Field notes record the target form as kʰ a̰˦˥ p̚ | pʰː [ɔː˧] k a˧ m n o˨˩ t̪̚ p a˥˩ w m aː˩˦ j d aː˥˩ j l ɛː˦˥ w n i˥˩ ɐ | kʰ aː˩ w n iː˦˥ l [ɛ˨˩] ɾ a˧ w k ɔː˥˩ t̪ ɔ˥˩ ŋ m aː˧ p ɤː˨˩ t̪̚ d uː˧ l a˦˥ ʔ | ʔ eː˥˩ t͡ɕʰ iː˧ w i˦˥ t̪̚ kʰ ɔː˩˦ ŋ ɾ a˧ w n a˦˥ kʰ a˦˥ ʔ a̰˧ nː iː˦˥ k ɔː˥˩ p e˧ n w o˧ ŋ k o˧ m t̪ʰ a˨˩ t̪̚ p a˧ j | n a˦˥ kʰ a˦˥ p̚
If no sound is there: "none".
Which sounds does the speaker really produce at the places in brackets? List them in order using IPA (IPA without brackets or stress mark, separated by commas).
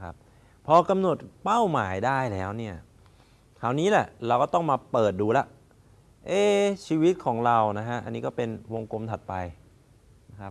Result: ɔː˧, ɛ˨˩